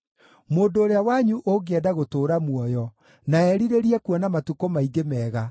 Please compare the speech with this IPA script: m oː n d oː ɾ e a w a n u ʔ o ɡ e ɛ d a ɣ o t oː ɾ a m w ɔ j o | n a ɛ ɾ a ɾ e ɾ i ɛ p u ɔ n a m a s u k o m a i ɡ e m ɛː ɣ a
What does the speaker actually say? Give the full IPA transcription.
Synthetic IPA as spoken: m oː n d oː ɾ e a w a ɲ u ʔ o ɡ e ɛ d a ɣ o t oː ɾ a m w ɔ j ɔ | n a ɛ ɾ i ɾ e ɾ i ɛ k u ɔ n a m a t u k o m a i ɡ e m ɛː ɣ a